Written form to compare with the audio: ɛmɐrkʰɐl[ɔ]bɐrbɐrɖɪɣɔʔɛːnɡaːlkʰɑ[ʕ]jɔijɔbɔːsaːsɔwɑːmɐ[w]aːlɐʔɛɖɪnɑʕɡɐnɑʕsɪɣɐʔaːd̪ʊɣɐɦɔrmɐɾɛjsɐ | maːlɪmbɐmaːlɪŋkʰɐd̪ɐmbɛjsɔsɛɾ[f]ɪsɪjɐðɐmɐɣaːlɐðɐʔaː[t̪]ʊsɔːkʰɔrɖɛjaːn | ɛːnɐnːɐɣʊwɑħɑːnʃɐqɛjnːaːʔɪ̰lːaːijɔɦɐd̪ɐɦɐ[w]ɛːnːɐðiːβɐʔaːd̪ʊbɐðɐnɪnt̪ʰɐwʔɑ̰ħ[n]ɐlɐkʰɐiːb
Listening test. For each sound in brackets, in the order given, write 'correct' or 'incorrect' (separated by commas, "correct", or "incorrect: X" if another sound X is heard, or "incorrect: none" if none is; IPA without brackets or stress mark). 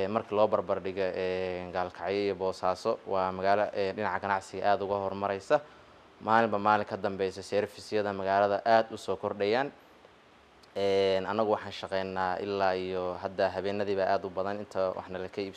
incorrect: ɔː, correct, incorrect: ɣ, correct, incorrect: d̪, incorrect: β, correct